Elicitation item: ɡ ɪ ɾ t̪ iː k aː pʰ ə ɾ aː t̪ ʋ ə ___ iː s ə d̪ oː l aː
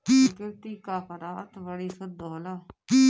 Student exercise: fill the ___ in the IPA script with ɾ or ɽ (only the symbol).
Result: ɽ